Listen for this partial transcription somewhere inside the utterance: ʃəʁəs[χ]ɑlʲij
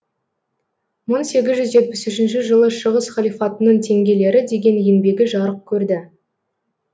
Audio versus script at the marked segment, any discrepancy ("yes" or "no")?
no